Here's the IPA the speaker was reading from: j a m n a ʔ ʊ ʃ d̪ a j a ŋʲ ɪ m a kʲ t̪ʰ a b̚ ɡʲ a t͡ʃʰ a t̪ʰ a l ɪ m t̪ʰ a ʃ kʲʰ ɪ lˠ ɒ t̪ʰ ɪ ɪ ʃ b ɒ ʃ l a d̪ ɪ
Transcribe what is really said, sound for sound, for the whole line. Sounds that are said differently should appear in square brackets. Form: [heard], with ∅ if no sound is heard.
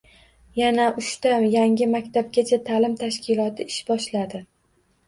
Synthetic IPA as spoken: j a [∅] n a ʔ ʊ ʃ [t̪] a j a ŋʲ ɪ m a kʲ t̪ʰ a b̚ ɡʲ a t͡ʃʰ a t̪ʰ a l ɪ m t̪ʰ a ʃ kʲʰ ɪ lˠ ɒ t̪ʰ ɪ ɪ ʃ b ɒ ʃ l a d̪ ɪ